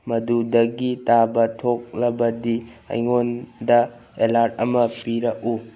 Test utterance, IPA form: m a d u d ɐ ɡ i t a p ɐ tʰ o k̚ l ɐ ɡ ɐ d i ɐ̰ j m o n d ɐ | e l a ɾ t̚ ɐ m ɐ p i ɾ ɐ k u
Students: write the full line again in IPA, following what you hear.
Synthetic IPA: m ɐ d u d ɐ ɡ i t a b ɐ tʰ o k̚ l ɐ b ɐ d i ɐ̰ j ŋ o n d ɐ | e l a ɾ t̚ ɐ m ɐ p i ɾ ɐ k u

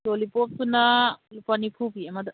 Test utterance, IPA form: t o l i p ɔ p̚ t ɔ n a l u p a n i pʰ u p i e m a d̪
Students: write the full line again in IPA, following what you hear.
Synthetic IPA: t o l i p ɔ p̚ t u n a l u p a n i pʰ u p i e m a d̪

